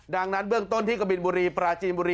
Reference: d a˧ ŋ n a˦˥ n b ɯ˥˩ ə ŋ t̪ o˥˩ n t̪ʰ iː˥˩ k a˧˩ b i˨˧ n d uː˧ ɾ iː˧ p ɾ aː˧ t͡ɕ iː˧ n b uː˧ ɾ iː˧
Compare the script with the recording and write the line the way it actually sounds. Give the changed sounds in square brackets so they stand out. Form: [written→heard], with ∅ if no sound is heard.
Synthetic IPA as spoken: d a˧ ŋ n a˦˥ n b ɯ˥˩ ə ŋ t̪ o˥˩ n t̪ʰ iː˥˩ k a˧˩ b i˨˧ n [d→b] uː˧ ɾ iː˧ p ɾ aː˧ t͡ɕ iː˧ n b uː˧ ɾ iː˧